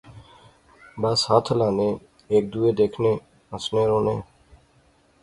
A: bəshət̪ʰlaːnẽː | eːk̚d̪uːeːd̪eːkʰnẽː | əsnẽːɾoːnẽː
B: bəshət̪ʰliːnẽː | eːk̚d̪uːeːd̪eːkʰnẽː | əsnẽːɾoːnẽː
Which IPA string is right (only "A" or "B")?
A